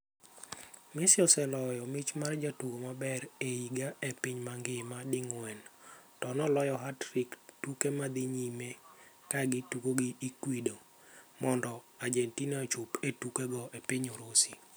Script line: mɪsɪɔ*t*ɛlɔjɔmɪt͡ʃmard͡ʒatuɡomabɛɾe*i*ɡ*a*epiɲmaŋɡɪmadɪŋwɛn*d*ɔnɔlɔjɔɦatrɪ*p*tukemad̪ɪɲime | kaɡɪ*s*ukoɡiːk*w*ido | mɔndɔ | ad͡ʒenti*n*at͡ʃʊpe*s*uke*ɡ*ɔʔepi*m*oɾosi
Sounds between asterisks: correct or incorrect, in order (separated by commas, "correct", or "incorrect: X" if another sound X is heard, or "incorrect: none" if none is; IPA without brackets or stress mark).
incorrect: s, correct, correct, incorrect: t, incorrect: k, incorrect: t, correct, correct, incorrect: t, correct, incorrect: ɲ